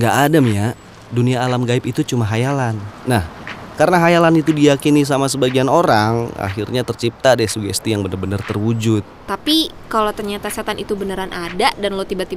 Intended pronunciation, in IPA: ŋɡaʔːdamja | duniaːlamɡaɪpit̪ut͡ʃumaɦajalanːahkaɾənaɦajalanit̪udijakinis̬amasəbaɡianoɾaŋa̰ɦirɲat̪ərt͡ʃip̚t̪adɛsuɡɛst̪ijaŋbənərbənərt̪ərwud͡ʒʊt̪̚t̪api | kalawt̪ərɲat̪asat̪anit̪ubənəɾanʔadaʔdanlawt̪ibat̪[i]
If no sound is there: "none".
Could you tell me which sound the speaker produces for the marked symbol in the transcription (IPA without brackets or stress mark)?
i